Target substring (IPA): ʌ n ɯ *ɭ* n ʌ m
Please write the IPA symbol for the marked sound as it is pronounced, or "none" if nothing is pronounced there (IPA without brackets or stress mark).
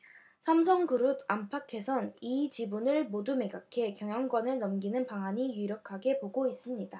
ɭ